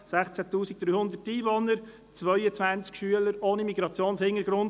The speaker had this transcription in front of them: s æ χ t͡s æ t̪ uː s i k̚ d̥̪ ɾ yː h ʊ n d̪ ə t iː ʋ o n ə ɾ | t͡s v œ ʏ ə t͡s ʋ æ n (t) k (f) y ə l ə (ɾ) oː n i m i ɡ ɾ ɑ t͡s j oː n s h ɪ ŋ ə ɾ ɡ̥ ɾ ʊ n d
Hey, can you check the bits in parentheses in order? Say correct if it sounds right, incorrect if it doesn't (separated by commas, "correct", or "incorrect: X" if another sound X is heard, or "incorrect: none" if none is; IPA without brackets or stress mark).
incorrect: t͡s, incorrect: ʃ, correct